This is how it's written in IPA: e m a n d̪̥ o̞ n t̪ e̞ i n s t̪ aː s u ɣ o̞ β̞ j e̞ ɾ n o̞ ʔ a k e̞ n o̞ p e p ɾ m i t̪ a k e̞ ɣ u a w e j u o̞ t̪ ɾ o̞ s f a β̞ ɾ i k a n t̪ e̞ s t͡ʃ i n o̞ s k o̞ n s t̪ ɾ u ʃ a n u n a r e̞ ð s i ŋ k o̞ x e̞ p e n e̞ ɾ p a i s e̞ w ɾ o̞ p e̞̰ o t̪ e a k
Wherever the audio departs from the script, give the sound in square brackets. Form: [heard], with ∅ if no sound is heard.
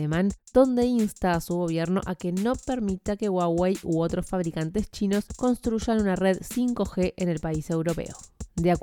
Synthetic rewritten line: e m a n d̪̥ o̞ n [d̪] e̞ i n s t̪ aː s u ɣ o̞ β̞ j e̞ ɾ n o̞ ʔ a k e̞ n o̞ p e [∅] ɾ m i t̪ a k e̞ ɣ [w] a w e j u o̞ t̪ ɾ o̞ s f a β̞ ɾ i k a n t̪ e̞ s t͡ʃ i n o̞ s k o̞ n s t̪ ɾ u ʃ a n u n a r e̞ ð s i ŋ k o̞ x e̞ [ʔ] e n e̞ [l] p a i s e̞ w ɾ o̞ p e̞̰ o [d̪] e a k